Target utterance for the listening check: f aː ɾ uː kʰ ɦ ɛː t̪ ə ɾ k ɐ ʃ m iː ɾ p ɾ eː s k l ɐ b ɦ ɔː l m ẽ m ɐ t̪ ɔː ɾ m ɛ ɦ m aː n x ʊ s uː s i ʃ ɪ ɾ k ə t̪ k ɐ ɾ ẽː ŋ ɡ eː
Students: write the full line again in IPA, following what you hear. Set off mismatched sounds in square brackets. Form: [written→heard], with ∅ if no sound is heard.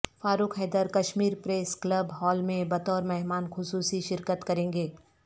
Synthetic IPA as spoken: f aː ɾ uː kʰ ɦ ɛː [t̪→d̪] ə ɾ k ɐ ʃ m iː ɾ p ɾ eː s k l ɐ b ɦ ɔː l m ẽ [m→b] ɐ t̪ ɔː ɾ m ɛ ɦ m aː n x ʊ s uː s i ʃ ɪ ɾ k ə t̪ k ɐ ɾ ẽː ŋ ɡ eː